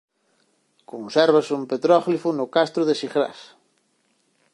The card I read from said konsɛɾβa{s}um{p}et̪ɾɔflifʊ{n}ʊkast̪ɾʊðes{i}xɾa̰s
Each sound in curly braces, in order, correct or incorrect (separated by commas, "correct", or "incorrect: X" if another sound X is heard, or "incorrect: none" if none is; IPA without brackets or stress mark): correct, correct, correct, correct